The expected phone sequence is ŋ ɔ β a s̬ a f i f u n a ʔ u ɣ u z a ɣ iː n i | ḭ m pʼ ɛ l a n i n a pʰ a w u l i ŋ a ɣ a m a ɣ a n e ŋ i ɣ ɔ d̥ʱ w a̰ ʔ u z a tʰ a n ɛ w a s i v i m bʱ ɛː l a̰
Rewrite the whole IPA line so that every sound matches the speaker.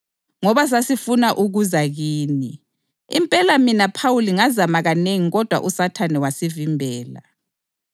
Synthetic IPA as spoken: ŋ ɔ β a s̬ a s i f u n a ʔ u ɣ u z a ɣ iː n i | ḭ m pʼ ɛ l a m i n a pʰ a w u l i ŋ a z a m a ɣ a n e ŋ i ɣ ɔ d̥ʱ w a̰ ʔ u s a tʰ a n ɛ w a s i v i m bʱ ɛː l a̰